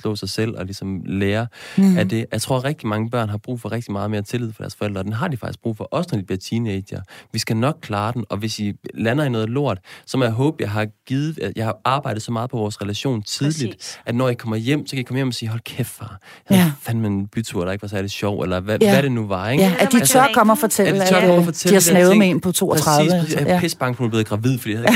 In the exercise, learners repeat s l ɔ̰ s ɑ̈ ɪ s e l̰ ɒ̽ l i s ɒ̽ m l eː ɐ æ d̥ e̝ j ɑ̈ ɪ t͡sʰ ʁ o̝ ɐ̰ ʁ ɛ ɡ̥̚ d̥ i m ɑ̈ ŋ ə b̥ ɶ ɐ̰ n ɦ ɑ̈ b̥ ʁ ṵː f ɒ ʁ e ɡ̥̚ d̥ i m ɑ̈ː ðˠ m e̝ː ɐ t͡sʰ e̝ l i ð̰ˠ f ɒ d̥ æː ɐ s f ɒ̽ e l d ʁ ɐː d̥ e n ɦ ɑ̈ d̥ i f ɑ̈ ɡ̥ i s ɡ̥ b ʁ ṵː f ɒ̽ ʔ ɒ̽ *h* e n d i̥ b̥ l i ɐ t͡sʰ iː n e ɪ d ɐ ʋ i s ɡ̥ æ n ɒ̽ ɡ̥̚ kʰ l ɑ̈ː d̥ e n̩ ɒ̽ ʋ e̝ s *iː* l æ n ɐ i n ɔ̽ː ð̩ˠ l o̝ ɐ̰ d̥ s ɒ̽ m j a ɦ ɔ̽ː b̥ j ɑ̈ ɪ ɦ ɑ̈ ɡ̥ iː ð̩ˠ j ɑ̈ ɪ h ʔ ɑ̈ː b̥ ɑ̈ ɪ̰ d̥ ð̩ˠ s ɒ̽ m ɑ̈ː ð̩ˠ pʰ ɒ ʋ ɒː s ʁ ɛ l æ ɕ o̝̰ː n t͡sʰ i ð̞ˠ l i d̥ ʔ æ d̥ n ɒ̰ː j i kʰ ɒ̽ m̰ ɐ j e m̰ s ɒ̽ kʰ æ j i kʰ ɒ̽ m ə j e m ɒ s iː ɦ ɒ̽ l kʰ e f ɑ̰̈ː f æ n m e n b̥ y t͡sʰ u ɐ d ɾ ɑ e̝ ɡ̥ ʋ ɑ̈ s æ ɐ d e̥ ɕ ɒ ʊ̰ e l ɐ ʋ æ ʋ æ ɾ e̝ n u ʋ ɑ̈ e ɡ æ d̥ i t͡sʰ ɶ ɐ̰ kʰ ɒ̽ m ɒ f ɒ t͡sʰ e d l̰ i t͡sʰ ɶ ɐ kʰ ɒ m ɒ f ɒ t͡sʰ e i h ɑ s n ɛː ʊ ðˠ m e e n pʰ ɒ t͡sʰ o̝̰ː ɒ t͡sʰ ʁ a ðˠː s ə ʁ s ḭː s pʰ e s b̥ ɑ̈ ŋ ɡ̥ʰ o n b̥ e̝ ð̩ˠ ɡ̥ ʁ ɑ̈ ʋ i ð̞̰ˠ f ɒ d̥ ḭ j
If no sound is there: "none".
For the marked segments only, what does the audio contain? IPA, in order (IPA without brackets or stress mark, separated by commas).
s, i